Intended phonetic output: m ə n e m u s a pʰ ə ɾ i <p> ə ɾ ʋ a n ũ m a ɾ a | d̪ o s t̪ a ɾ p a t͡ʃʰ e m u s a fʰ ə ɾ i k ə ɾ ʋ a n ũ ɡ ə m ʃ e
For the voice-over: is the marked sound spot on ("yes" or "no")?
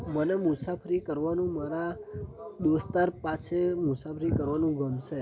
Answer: no